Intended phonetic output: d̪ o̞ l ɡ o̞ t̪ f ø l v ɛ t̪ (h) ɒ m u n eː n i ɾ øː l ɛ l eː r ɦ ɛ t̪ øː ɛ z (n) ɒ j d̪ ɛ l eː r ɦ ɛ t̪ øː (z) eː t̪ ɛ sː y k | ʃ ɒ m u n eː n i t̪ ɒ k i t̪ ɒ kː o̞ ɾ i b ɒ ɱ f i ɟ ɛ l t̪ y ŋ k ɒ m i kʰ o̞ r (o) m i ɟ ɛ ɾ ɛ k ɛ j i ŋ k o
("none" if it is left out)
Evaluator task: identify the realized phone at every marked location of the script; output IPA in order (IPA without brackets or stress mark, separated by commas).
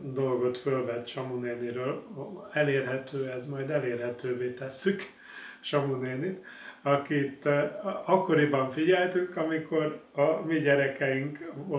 ʃ, m, v, ɒ